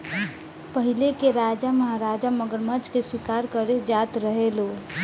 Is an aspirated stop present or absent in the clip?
absent